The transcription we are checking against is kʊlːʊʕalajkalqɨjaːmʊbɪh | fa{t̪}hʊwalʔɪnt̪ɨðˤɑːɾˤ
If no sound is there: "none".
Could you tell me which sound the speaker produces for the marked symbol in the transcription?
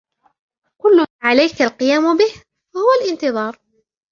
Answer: none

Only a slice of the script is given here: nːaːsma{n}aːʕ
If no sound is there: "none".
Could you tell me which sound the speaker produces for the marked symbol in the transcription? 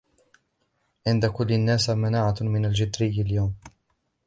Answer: n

